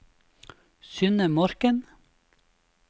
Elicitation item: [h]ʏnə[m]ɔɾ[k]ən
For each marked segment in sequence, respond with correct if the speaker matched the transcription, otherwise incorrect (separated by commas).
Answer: incorrect, correct, correct